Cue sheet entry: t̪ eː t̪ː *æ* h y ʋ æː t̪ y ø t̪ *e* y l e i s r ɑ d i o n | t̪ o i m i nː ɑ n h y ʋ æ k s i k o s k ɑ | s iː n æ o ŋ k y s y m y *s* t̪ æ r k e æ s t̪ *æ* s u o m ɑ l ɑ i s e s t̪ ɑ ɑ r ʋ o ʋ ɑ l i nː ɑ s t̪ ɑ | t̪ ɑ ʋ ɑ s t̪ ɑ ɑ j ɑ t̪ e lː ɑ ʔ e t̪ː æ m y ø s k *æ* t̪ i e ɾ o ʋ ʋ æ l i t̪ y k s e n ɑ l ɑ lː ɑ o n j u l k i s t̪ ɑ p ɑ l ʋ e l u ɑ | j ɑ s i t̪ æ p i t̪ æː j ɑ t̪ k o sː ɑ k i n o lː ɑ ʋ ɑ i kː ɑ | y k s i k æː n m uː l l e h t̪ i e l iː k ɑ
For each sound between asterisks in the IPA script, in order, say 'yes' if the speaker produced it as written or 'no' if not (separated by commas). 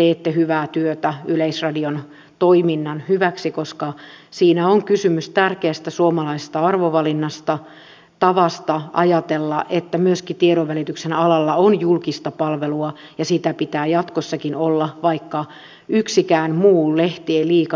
no, no, yes, yes, no